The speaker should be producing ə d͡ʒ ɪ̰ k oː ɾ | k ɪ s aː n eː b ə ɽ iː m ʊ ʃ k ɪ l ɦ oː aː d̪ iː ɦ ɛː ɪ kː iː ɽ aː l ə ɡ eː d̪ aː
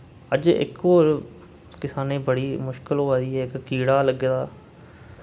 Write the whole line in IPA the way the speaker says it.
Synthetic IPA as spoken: ə d͡ʒ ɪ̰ k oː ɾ | k ɪ s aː n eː b ə ɽ iː m ʊ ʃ k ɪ l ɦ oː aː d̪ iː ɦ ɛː ɪ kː iː ɽ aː l ə ɡ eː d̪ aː

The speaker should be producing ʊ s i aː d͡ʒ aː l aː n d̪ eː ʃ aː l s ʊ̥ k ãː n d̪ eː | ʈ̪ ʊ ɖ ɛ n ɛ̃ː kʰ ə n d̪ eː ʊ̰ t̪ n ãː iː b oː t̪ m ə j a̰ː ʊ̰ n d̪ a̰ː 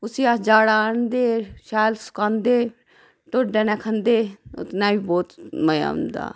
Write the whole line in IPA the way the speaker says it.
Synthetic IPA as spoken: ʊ s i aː d͡ʒ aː ɽ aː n d̪ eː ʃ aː l s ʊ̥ k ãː n d̪ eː | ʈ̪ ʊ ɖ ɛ n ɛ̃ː kʰ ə n d̪ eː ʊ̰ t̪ n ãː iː b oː t̪ m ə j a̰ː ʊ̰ n d̪ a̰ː

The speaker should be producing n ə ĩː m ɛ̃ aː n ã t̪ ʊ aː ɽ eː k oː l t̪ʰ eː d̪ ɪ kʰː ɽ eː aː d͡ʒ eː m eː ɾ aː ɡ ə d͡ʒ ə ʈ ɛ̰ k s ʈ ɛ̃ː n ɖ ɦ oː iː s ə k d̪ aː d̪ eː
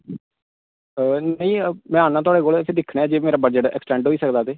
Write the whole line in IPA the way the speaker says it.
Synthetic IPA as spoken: n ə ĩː m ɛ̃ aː n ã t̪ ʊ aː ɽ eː k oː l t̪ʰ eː d̪ ɪ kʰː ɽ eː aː d͡ʒ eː m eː ɾ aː b ə d͡ʒ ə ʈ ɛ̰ k s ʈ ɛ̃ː ɳ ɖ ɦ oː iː s ə k d̪ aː t̪ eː

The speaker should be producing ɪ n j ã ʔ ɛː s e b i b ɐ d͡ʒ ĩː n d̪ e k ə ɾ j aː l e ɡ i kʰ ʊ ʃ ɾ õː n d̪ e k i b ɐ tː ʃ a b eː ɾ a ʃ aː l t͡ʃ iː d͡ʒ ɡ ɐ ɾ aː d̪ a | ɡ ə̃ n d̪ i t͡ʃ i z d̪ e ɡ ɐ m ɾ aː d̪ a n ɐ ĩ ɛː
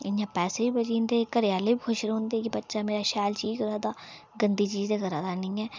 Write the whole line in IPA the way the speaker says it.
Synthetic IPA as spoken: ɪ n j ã p ɛː s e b i b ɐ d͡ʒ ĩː n d̪ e k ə ɾ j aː l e b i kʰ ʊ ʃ ɾ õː n d̪ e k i b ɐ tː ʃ a m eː ɾ a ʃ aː l t͡ʃ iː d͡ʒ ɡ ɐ ɾ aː d̪ a | ɡ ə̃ n d̪ i t͡ʃ iː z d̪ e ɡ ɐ ɾ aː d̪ a n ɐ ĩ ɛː

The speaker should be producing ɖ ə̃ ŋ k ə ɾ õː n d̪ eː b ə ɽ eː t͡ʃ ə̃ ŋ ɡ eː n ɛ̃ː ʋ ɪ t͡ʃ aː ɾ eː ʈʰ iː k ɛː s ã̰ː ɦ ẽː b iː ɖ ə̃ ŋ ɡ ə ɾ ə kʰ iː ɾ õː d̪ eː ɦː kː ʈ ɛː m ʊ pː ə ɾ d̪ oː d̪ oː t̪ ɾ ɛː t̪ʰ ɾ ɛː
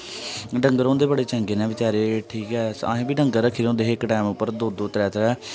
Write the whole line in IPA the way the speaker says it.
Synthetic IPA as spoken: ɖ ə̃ ŋ ɡ ə ɾ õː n d̪ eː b ə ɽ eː t͡ʃ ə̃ ŋ ɡ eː n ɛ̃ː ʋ ɪ t͡ʃ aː ɾ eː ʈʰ iː k ɛː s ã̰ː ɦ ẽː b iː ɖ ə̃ ŋ ɡ ə ɾ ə kʰ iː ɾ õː d̪ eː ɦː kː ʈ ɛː m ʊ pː ə ɾ d̪ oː d̪ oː t̪ ɾ ɛː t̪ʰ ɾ ɛː

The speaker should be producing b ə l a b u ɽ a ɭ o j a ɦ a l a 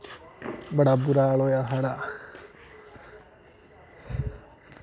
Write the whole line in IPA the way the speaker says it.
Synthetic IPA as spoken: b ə ɽ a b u ɾ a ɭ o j a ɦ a ɽ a

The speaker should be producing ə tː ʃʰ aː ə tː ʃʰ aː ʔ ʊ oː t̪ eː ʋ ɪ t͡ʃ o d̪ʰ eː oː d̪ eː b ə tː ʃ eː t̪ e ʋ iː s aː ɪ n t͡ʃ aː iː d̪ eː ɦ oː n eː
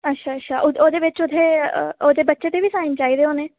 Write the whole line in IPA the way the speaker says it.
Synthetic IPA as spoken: ə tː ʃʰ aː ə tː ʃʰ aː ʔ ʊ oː d̪ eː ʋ ɪ t͡ʃ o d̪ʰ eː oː d̪ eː b ə tː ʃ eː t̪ e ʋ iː s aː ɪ n t͡ʃ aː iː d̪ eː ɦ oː n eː

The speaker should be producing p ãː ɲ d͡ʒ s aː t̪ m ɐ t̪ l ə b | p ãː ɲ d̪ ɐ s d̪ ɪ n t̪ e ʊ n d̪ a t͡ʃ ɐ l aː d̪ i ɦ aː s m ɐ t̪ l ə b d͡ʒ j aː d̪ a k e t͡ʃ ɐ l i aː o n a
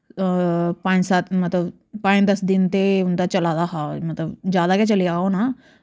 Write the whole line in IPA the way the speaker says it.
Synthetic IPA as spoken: p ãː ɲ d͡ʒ s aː t̪ m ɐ t̪ l ə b | p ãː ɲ d̪ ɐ s d̪ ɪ n t̪ e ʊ n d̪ a t͡ʃ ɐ l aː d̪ a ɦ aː m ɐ t̪ l ə b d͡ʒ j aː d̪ a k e t͡ʃ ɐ l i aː o n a

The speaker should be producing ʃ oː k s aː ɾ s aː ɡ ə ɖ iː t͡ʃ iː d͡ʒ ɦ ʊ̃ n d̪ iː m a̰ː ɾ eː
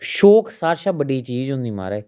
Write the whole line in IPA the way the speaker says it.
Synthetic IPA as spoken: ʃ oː k s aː ɾ ʃ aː b ə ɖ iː t͡ʃ iː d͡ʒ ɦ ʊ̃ n d̪ iː m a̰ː ɾ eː

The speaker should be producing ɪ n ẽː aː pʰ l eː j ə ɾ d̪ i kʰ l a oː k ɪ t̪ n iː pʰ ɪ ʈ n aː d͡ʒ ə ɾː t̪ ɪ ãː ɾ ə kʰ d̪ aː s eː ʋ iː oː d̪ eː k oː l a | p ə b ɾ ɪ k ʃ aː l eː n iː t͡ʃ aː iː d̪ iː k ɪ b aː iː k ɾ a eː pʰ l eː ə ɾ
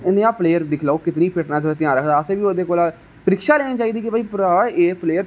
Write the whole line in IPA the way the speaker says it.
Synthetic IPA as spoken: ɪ n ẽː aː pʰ l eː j ə ɾ d̪ ɪ kʰ l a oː k ɪ t̪ n iː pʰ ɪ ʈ n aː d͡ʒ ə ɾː t̪ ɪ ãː ɾ ə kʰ d̪ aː s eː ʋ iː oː d̪ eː k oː l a | p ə ɾ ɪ k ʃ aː l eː n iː t͡ʃ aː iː d̪ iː k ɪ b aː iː p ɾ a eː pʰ l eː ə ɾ

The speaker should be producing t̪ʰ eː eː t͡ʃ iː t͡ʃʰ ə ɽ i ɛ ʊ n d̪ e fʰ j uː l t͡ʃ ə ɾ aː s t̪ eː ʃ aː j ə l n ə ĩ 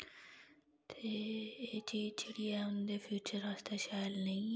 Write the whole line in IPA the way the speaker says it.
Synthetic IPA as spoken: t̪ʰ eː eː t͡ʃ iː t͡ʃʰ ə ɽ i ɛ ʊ n d̪ e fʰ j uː t͡ʃ ə ɾ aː s t̪ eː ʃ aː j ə l n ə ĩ

